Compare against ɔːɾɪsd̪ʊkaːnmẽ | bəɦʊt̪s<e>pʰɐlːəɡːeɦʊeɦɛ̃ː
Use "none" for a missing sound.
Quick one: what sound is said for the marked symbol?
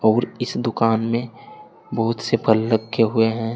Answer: e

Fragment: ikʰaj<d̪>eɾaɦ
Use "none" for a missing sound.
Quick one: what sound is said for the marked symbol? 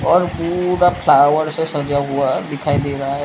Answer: d̪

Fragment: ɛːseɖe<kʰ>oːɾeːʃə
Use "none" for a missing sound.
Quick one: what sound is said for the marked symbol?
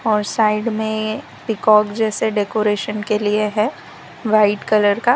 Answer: k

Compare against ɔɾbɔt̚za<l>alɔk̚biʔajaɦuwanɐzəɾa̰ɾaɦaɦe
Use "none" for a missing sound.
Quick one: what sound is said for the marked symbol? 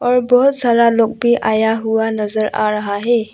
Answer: ɾ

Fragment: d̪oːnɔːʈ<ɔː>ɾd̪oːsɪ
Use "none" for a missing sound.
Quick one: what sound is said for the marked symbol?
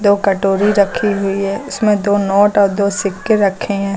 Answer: ɔː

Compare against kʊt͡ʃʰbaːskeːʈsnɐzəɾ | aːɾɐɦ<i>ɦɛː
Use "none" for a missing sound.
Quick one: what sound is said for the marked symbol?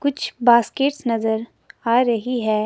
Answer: i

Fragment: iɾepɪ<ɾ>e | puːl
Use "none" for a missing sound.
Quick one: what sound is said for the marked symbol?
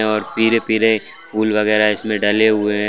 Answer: ɾ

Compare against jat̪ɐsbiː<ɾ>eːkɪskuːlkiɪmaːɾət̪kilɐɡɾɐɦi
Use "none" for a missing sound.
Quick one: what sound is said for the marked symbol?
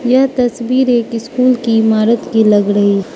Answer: ɾ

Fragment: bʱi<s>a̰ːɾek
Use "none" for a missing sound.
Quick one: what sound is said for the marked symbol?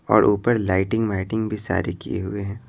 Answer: s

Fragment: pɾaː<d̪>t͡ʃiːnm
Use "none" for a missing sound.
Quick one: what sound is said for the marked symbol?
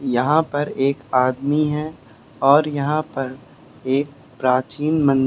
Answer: none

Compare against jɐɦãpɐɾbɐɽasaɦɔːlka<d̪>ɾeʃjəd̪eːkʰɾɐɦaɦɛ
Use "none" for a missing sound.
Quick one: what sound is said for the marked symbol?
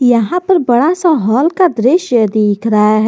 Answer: d̪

